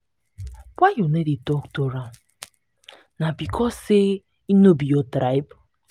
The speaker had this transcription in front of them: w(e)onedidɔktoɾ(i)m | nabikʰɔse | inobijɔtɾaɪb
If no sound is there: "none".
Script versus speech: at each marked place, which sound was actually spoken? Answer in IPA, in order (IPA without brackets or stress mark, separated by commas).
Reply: a, a